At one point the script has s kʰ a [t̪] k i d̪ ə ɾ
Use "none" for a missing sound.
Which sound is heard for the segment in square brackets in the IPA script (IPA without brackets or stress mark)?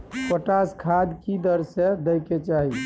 d̪